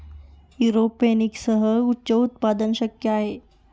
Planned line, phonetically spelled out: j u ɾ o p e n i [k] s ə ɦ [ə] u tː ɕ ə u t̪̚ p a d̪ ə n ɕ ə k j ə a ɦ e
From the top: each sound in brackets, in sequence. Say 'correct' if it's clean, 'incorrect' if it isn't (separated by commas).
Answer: correct, correct